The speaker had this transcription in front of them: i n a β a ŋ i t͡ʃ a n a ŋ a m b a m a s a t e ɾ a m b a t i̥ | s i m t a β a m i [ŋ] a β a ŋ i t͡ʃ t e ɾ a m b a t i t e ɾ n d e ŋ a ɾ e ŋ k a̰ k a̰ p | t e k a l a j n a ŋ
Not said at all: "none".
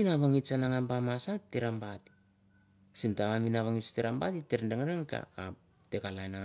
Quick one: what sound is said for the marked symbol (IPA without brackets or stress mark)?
n